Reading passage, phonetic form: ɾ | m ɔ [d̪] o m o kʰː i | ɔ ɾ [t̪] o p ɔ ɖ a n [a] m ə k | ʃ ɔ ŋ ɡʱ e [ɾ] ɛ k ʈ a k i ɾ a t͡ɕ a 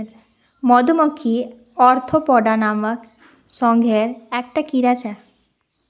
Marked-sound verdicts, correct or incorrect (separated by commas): correct, incorrect, correct, correct